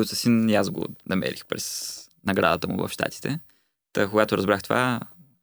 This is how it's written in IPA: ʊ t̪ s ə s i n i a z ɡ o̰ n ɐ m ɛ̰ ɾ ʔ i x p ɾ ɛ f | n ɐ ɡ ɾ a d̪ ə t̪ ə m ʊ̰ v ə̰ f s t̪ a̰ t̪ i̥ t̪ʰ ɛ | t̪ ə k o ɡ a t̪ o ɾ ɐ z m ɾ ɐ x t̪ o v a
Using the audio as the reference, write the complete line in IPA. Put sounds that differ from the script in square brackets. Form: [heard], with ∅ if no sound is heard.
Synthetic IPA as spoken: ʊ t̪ s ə s i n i a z ɡ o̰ n ɐ m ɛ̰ ɾ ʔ i x p ɾ ɛ [s] | n ɐ ɡ ɾ a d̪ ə t̪ ə m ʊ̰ v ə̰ f [ʃ] t̪ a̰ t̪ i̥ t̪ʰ ɛ | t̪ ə k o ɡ a t̪ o ɾ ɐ z [b] ɾ [a] x t̪ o v a